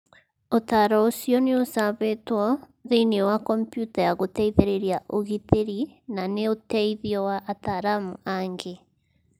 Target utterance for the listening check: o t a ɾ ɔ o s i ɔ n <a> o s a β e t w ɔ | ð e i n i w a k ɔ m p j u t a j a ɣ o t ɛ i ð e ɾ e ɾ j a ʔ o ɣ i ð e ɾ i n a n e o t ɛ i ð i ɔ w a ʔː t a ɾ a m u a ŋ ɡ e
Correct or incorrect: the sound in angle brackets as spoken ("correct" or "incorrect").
incorrect